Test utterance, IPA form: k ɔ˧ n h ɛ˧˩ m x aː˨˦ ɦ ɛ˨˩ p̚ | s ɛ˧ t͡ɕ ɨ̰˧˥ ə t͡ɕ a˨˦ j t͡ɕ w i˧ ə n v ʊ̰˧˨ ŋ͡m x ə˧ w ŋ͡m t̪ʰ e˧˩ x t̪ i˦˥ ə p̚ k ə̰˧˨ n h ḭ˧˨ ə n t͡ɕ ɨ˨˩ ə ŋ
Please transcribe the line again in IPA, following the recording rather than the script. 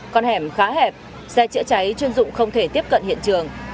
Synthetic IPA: k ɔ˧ n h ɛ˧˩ m x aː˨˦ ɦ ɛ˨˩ p̚ | s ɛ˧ t͡ɕ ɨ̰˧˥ ə t͡ɕ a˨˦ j t͡ɕ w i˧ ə n z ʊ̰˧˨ ŋ͡m x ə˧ w ŋ͡m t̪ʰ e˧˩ t̪ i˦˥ ə p̚ k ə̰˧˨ n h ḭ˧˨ ə n t͡ɕ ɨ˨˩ ə ŋ